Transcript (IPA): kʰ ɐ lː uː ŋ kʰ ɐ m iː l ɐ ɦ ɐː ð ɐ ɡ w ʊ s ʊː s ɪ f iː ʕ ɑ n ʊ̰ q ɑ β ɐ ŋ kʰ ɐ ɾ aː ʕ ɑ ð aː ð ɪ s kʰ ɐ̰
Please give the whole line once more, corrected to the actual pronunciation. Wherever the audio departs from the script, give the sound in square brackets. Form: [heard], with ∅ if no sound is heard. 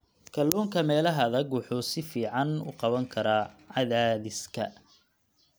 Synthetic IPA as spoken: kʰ ɐ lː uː ŋ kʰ ɐ m [ɛː] l ɐ ɦ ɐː ð ɐ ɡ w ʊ [ħ] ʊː s ɪ f iː ʕ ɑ n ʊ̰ q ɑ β ɐ ŋ kʰ ɐ ɾ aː ʕ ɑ ð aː ð ɪ s kʰ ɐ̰